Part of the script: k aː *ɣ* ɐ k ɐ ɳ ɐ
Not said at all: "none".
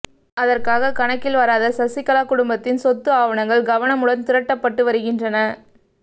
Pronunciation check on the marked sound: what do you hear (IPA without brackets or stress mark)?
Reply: ɣ